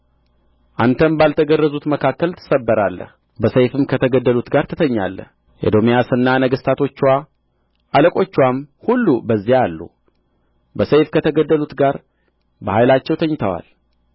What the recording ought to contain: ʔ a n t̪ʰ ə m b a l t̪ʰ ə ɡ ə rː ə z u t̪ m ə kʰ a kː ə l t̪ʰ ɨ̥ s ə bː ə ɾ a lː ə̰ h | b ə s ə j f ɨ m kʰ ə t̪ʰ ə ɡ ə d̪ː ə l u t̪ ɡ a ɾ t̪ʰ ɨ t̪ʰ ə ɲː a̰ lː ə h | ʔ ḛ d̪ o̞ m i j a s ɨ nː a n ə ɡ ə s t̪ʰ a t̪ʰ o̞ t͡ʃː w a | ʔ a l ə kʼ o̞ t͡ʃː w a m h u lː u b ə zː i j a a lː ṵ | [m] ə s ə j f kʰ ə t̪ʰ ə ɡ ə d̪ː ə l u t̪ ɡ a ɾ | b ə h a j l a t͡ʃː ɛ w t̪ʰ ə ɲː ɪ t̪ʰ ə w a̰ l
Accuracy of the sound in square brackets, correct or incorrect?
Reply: incorrect